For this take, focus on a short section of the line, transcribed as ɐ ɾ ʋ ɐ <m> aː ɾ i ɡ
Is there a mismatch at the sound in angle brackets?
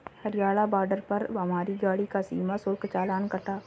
no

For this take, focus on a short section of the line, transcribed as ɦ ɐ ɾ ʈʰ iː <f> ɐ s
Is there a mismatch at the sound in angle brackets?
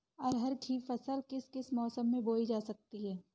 no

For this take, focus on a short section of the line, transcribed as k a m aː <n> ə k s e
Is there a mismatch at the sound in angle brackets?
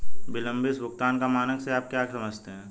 no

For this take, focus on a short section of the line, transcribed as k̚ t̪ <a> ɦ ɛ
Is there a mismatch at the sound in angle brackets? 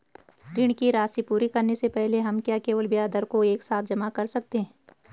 yes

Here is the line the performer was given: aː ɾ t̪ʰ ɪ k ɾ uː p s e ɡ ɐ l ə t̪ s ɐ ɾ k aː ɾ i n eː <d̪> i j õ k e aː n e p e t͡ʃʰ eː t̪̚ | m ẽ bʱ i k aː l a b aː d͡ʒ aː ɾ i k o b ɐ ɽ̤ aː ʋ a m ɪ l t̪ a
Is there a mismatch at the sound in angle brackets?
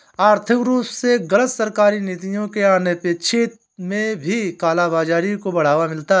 yes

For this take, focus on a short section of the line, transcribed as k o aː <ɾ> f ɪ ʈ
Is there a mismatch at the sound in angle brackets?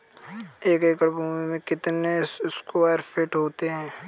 no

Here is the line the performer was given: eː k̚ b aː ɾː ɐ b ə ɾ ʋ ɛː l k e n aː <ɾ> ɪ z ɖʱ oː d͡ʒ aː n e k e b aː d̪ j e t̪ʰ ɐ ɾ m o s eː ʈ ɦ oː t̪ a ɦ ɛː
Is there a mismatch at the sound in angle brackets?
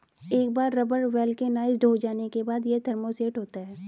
yes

